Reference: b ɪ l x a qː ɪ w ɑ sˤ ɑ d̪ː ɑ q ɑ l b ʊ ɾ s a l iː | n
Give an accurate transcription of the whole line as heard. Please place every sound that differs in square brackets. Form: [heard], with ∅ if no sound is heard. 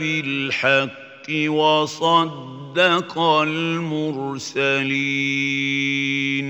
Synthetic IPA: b ɪ l [ħ] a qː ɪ w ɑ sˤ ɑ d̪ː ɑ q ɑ l [m] ʊ ɾ s a l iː | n